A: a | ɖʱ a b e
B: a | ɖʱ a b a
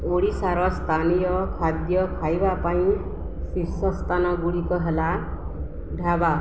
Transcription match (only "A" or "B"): B